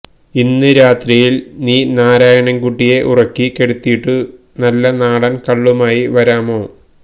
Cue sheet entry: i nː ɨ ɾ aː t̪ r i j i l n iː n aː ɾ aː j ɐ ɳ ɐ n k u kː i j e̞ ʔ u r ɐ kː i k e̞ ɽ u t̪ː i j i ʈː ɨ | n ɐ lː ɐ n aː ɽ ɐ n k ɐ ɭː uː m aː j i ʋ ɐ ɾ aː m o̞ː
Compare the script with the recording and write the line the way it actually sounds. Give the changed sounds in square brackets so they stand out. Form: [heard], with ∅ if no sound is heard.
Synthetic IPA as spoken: i nː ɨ ɾ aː t̪ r i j i l n iː n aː ɾ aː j ɐ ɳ ɐ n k u [ʈː] i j e̞ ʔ u r ɐ kː i k e̞ ɽ u t̪ː i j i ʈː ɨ | n ɐ lː ɐ n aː ɽ ɐ n k ɐ ɭː [u] m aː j i ʋ ɐ ɾ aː m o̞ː